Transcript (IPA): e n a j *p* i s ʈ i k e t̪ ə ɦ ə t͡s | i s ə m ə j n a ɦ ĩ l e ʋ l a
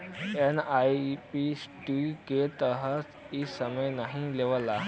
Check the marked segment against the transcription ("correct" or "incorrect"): correct